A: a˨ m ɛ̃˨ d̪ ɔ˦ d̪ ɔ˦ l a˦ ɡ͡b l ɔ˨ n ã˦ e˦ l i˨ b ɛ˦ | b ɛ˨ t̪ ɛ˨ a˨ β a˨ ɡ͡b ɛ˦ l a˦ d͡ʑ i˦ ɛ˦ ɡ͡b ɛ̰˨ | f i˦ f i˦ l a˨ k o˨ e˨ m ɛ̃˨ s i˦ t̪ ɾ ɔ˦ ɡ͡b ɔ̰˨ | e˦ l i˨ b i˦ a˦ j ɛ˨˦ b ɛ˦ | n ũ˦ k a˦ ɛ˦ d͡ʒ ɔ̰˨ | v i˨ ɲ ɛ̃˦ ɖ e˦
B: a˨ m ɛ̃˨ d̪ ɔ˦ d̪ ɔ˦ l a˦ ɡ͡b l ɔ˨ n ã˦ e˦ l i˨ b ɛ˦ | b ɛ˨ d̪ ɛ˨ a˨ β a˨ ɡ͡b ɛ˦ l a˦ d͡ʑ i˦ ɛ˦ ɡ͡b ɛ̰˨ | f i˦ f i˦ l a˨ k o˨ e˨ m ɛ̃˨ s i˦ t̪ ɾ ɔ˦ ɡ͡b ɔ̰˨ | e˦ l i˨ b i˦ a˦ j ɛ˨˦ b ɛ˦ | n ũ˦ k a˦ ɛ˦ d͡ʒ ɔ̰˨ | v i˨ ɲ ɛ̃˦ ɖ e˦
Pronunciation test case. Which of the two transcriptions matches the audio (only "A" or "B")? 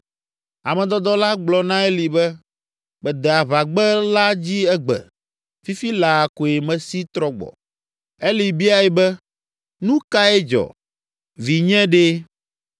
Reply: B